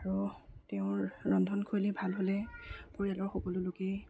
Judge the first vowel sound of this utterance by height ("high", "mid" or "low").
low